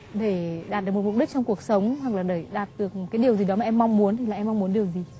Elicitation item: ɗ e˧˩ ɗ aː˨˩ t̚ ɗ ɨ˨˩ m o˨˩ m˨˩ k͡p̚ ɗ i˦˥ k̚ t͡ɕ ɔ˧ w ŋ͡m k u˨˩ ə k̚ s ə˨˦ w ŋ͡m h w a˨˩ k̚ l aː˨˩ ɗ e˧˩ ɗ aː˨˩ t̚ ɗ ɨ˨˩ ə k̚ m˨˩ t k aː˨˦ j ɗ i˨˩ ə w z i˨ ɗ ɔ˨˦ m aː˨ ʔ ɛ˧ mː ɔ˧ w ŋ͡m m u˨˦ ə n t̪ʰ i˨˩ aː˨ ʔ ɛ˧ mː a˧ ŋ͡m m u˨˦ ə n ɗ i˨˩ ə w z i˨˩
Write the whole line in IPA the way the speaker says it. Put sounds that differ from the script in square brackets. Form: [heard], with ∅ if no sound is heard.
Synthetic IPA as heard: ɗ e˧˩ ɗ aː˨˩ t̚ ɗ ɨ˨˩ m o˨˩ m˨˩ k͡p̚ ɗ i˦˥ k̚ t͡ɕ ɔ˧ w ŋ͡m k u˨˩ ə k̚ s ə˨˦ w ŋ͡m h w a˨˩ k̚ l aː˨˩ ɗ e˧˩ ɗ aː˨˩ t̚ ɗ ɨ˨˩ ə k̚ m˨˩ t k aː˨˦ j ɗ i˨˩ ə w z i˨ ɗ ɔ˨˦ m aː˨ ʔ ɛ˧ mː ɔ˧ w ŋ͡m m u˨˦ ə n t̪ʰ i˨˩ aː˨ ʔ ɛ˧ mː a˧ ŋ͡m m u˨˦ ə n ɗ i˨˩ ə w z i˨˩